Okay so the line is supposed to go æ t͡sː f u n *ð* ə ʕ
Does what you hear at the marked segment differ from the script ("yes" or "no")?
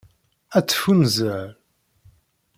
yes